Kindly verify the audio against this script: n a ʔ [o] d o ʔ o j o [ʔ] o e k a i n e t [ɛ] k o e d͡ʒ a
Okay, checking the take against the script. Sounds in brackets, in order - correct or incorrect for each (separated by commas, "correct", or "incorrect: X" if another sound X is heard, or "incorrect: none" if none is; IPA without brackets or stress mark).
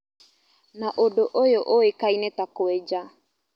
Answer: correct, correct, incorrect: a